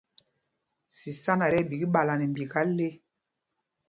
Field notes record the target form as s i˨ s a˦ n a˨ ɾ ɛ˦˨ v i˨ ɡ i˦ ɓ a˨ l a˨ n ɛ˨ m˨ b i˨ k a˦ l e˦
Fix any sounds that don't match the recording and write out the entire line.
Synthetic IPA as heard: s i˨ s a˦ n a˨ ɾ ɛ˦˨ b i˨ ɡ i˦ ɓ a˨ l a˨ n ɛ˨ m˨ b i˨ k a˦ l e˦